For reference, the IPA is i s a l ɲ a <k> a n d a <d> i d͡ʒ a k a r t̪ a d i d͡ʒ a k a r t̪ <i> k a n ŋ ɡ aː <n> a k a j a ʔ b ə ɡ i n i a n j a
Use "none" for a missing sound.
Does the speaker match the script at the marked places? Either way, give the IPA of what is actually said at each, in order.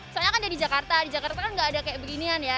k, d, a, d

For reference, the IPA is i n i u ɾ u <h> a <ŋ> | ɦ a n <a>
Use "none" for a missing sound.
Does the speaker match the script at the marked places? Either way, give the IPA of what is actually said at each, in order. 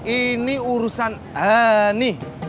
s, n, i

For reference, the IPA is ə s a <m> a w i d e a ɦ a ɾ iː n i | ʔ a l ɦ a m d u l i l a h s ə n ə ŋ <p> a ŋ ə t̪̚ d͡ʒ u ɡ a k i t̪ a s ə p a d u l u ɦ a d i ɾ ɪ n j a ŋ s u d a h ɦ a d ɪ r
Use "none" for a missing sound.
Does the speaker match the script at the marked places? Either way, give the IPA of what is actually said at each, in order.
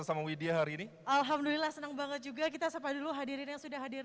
m, b

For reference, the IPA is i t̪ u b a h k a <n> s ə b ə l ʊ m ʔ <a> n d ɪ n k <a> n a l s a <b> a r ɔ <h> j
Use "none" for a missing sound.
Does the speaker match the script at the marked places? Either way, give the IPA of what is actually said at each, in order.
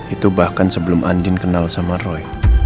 n, a, ə, m, none

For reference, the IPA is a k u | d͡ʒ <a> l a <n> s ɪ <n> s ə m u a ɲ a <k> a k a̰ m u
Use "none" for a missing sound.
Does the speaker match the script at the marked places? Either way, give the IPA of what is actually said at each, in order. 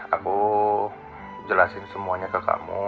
ə, none, n, k

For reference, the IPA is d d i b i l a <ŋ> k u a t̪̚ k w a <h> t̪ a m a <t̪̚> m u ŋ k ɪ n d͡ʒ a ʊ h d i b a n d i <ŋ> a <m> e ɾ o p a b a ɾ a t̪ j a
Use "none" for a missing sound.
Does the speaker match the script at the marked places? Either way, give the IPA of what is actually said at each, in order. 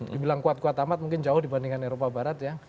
ŋ, none, t̪̚, ŋ, n

